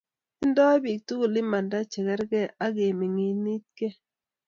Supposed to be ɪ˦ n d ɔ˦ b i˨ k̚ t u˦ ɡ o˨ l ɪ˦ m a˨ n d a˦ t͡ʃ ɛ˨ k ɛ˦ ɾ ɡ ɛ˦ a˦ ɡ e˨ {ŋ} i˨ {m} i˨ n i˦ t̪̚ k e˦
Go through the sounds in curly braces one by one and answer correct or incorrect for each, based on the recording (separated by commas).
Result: incorrect, incorrect